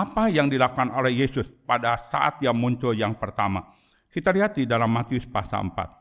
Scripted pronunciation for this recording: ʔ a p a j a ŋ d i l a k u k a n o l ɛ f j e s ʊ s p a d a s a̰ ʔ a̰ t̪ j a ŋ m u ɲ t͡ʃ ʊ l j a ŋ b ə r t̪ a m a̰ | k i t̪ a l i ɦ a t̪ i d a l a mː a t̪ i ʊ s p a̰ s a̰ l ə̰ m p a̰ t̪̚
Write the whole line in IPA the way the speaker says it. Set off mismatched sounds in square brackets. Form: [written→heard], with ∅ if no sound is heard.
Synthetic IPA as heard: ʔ a p a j a ŋ d i l a k u k a n o l ɛ [f→h] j e s ʊ s p a d a s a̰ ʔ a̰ t̪ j a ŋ m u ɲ t͡ʃ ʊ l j a ŋ [b→p] ə r t̪ a m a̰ | k i t̪ a l i ɦ a t̪ i d a l a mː a t̪ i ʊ s p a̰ s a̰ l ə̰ m p a̰ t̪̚

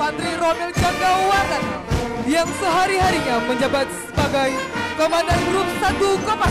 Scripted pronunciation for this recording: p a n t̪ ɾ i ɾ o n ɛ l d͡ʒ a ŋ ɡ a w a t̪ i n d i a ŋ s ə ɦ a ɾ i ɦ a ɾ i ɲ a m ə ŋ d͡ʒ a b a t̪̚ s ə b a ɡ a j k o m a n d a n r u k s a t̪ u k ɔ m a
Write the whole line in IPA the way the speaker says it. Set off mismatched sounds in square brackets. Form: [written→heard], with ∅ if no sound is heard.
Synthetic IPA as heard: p a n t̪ ɾ i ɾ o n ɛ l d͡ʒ a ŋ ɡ a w a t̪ [i→a] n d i a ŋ s ə ɦ a ɾ i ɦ a ɾ i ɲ a m ə [ŋ→ɲ] d͡ʒ a b a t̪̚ s ə b a ɡ a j k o m a n d a n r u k s a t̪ u k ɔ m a

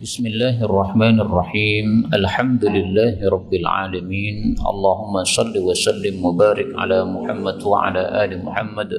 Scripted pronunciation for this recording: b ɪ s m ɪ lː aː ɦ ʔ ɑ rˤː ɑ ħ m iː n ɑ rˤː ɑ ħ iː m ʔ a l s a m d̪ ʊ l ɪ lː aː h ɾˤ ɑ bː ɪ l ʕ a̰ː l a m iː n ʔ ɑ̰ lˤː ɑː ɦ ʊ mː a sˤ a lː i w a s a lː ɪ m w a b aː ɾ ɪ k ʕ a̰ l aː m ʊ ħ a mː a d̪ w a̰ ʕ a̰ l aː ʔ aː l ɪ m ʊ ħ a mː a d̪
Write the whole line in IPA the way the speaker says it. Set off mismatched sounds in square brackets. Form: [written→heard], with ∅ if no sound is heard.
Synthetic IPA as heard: b ɪ s m ɪ lː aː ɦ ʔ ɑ rˤː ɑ ħ m [iː→aː] n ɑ rˤː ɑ ħ iː m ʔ a l [s→ħ] a m d̪ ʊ l ɪ lː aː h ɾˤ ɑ bː ɪ l ʕ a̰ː l a m iː n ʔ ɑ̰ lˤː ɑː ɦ ʊ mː a sˤ [a→ɑ] lː i w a s a lː ɪ m w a b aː ɾ ɪ k ʕ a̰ l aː m ʊ ħ a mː a d̪ w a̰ ʕ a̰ l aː ʔ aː l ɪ m ʊ ħ a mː a d̪

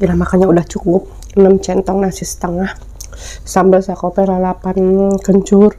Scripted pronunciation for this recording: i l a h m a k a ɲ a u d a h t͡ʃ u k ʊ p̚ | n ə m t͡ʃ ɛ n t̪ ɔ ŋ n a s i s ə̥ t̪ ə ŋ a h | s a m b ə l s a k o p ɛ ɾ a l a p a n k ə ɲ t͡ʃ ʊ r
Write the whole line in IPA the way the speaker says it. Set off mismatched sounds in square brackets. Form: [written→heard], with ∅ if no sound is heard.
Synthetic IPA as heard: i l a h m a k a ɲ a u d a h t͡ʃ u k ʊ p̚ | n ə m t͡ʃ ɛ n t̪ ɔ ŋ n a s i s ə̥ t̪ ə ŋ a h | s a m b ə l s a k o p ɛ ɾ a l a p a n k ə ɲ t͡ʃ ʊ r

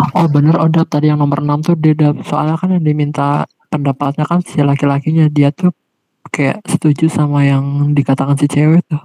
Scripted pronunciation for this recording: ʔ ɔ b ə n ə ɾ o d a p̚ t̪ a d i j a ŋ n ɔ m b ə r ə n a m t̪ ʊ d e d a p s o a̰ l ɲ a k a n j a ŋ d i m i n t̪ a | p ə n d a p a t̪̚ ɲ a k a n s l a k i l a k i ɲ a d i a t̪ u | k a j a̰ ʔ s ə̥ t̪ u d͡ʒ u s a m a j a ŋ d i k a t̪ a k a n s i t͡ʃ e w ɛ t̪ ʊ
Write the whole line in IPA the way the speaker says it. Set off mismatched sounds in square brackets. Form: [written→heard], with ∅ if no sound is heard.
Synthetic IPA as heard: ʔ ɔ b ə n ə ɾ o d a p̚ t̪ a d i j a ŋ n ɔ m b ə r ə n a m t̪ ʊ d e d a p s o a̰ l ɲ a k a n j a ŋ d i m i n t̪ a | p ə n d a p a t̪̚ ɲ a k a n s l a k i l a k i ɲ a d i a t̪ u | k a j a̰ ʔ s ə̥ t̪ u d͡ʒ u s a m a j a ŋ d i k a t̪ a k a n s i t͡ʃ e w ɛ t̪ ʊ

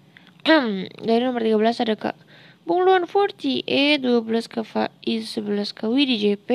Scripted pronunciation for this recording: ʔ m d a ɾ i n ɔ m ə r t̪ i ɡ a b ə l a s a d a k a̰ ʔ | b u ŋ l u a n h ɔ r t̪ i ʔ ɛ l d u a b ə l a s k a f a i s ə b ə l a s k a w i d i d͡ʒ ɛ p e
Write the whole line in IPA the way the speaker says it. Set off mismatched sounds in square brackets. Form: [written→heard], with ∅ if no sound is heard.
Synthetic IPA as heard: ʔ m d a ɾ i n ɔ m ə r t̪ i ɡ a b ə l a s a d a k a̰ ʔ | b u ŋ l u a n [h→f] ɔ r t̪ i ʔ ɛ [l→∅] d u a b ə l a s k a f a i s ə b ə l a s k a w i d i d͡ʒ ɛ p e

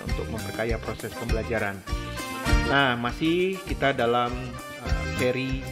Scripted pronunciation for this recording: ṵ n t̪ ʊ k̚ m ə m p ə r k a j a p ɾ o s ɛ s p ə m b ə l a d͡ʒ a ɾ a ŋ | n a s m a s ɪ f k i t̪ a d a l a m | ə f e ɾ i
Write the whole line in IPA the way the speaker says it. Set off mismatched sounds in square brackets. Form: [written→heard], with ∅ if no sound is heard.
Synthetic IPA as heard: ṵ n t̪ ʊ k̚ m ə m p ə r k a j a p ɾ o s ɛ s p ə m b ə l a d͡ʒ a ɾ a [ŋ→n] | n a [s→h] m a s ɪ [f→h] k i t̪ a d a l a m | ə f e ɾ i

